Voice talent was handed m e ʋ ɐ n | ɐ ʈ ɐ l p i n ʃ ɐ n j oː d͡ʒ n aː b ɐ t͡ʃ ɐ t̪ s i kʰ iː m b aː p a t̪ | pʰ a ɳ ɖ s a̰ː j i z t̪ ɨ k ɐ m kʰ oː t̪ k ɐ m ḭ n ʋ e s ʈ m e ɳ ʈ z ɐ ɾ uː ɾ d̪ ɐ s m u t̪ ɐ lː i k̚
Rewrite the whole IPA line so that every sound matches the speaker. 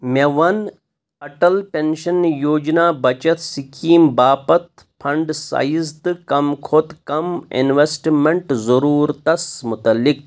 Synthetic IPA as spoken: m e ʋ ɐ n | ɐ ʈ ɐ l p e n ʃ ɐ n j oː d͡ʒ n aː b ɐ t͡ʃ ɐ t̪ s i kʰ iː m b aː p ɐ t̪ | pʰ ɐ ɳ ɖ s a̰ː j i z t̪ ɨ k ɐ m kʰ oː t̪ k ɐ m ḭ n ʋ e s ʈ m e ɳ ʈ z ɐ ɾ uː ɾ t̪ ɐ s m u t̪ ɐ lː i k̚